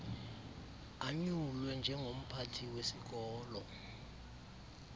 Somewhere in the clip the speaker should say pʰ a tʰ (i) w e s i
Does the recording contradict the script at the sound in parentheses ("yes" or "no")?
no